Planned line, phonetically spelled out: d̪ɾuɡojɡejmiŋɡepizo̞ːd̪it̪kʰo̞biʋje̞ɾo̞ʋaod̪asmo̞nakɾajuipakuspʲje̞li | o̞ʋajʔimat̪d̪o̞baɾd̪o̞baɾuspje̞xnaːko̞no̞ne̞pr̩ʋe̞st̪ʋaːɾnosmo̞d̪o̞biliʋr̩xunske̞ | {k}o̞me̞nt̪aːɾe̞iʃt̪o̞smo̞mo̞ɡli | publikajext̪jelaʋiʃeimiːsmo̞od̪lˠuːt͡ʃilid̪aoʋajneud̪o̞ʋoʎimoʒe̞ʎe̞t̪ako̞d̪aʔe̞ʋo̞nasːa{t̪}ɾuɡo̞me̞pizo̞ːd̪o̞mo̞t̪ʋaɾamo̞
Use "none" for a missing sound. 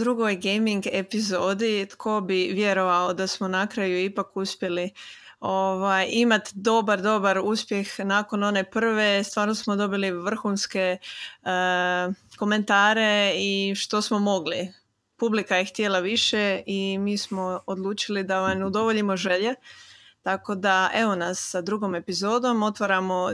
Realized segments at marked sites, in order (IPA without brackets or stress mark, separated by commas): k, d̪